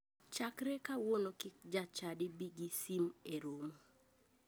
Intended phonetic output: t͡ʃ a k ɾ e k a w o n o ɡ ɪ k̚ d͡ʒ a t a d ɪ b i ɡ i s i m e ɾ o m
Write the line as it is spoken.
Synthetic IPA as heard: t͡ʃ a k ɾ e k a w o n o k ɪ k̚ d͡ʒ a t͡ʃ a d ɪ b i ɡ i s i m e ɾ o m